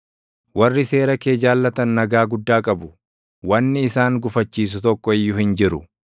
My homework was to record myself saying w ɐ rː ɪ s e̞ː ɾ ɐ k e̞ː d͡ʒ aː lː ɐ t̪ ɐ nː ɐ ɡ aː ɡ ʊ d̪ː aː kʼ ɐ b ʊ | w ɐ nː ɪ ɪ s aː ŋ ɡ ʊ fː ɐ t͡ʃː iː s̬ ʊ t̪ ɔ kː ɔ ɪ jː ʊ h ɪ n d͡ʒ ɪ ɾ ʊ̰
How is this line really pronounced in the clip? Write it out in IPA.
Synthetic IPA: w ɐ rː ɪ s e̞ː ɾ ɐ k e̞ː d͡ʒ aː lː ɐ t̪ ɐ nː ɐ ɡ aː ɡ ʊ d̪ː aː kʼ ɐ b ʊ | w ɐ nː ɪ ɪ s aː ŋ ɡ ʊ f ɐ t͡ʃː iː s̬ ʊ t̪ ɔ kː ɔ ɪ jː ʊ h ɪ n d͡ʒ ɪ ɾ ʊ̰